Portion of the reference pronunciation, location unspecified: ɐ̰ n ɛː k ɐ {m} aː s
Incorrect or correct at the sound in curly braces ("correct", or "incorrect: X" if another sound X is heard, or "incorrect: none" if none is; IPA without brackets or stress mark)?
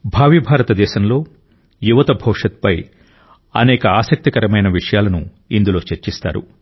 incorrect: none